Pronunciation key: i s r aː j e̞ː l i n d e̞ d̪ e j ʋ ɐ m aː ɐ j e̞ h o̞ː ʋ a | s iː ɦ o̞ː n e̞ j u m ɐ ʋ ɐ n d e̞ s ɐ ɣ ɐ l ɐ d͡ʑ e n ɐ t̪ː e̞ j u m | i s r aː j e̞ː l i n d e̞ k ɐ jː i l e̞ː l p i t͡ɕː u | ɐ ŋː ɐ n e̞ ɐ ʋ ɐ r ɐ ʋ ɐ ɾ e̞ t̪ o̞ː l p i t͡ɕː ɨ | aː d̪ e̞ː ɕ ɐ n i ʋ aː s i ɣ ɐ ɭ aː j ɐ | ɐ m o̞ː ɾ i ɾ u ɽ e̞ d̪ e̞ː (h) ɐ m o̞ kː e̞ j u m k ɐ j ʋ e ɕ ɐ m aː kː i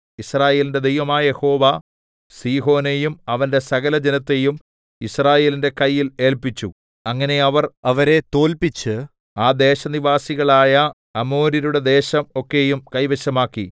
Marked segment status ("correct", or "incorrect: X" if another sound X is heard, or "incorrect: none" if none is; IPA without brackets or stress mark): incorrect: ɕ